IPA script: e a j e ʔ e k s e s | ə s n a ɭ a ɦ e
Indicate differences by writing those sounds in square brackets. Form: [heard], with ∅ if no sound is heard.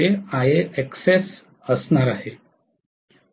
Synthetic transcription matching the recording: e a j e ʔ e k s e s | ə s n a [ɾ] a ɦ e